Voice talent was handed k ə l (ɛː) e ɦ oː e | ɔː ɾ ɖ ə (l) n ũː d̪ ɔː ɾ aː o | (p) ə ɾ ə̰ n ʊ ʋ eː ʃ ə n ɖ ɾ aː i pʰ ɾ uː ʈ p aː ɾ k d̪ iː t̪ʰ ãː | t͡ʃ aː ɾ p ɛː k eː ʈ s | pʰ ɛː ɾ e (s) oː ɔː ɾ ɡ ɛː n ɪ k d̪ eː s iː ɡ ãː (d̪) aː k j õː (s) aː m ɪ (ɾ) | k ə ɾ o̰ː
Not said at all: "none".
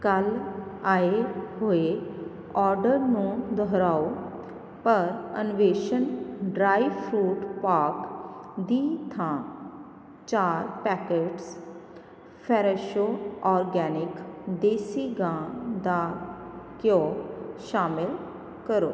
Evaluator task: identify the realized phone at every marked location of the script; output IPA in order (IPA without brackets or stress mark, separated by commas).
aː, ɾ, p, ʃ, d̪, ʃ, l